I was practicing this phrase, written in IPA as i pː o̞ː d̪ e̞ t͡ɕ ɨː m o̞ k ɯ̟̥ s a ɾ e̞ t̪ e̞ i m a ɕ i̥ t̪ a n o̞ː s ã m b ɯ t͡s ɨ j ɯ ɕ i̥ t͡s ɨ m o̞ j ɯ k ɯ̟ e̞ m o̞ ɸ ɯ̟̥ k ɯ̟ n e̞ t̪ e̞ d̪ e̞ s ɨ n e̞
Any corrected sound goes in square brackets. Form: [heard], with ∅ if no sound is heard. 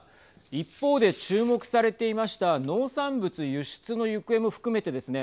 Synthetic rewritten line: i pː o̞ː d̪ e̞ t͡ɕ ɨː m o̞ k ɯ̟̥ s a ɾ e̞ t̪ e̞ i m a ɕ i̥ t̪ a n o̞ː s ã m b ɯ t͡s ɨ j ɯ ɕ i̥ t͡s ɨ [n] o̞ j ɯ k ɯ̟ e̞ m o̞ ɸ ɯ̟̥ k ɯ̟ [m] e̞ t̪ e̞ d̪ e̞ s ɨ n e̞